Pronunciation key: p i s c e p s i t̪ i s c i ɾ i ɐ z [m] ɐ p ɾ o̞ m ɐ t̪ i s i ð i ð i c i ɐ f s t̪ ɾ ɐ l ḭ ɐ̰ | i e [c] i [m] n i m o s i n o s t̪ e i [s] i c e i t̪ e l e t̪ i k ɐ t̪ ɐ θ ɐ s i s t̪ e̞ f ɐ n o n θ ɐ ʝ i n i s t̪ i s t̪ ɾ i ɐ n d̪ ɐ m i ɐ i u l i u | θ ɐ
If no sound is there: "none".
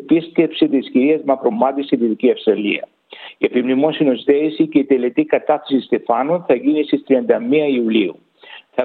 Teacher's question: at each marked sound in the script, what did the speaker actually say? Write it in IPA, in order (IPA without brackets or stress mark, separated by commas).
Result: m, p, m, s